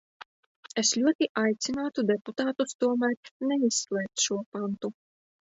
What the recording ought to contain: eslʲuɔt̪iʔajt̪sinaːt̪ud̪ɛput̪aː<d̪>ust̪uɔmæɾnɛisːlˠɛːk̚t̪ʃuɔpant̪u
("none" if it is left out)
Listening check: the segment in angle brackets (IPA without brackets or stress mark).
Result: t̪